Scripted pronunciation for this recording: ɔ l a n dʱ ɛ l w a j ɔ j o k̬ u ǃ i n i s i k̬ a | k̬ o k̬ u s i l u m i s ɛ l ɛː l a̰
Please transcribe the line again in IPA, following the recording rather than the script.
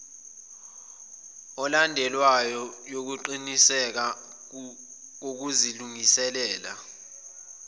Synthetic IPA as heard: ɔ l a n dʱ ɛ l w a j ɔ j o k̬ u ǃ i n i s ɛ k̬ a | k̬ o k̬ u z i l u ŋ i s ɛ l ɛː l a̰